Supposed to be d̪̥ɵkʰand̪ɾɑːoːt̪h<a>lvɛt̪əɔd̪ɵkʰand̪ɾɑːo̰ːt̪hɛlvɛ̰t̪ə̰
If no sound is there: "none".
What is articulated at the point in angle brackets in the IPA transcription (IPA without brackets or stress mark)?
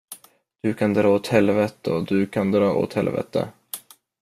ɛ